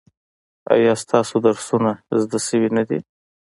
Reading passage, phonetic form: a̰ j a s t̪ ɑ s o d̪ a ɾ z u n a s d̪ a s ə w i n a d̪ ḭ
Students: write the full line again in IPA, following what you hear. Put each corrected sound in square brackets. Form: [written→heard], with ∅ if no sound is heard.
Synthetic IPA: a̰ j [a→ɑ] s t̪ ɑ s o d̪ a ɾ [z→s] u n a [s→z] d̪ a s ə w i n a d̪ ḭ